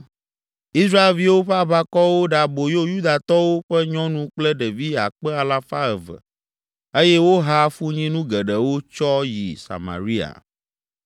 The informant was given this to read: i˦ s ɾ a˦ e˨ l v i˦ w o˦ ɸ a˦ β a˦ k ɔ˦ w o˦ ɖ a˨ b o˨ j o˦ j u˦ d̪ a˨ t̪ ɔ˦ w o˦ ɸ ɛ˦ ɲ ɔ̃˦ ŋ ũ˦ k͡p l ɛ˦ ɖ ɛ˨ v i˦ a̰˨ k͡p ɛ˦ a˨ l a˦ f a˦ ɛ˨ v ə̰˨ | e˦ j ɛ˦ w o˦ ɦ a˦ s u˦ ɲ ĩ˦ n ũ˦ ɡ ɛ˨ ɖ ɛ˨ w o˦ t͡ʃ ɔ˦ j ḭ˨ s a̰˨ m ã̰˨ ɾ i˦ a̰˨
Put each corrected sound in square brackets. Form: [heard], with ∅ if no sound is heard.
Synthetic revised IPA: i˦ s ɾ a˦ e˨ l v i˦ w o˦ ɸ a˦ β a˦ k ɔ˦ w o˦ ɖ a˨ b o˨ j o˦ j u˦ d̪ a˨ t̪ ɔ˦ w o˦ ɸ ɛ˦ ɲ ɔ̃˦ [n] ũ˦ k͡p l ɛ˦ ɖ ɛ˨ v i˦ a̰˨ k͡p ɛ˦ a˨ l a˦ f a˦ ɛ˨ v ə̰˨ | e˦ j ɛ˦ w o˦ ɦ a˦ [f] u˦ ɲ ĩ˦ n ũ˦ ɡ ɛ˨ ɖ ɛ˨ w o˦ t͡ʃ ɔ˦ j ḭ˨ s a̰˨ m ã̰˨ ɾ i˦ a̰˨